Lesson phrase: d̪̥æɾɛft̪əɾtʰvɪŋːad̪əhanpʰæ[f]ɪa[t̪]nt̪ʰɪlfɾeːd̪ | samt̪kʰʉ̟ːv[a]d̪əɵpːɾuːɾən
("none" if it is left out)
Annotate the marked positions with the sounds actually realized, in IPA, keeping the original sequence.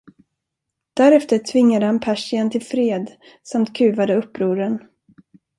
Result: ʂ, none, a

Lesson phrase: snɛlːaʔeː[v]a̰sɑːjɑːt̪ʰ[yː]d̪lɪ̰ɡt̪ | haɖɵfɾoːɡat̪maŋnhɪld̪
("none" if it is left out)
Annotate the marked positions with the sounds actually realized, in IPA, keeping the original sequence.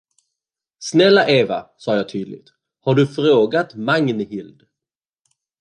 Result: v, yː

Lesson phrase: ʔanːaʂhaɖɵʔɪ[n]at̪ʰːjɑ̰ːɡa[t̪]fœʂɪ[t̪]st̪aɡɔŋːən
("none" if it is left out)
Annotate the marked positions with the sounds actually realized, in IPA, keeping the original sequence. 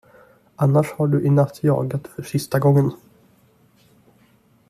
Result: n, t̪, none

